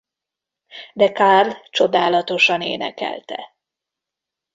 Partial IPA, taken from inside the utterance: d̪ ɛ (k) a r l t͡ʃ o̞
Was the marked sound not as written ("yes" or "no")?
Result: no